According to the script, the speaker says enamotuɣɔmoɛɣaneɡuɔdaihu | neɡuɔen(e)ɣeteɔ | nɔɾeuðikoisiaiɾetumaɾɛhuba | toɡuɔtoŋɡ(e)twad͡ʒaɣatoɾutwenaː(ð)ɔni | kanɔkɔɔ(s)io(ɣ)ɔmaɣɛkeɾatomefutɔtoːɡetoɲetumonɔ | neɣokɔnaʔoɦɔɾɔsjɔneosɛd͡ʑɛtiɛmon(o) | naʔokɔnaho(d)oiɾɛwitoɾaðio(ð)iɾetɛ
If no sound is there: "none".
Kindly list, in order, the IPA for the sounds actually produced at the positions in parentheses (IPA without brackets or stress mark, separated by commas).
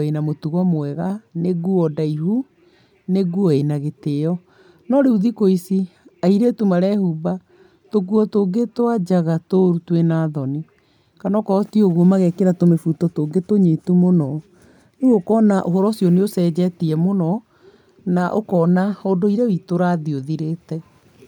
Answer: a, e, ð, t, ɣ, ɔ, d, ð